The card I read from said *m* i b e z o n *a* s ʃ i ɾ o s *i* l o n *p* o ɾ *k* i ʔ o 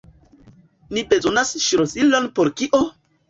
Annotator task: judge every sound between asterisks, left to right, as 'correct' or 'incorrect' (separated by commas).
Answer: incorrect, correct, correct, correct, correct